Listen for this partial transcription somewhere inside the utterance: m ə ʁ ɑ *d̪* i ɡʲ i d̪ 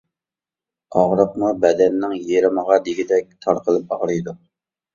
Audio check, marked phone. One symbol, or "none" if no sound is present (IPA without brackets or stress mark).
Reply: d̪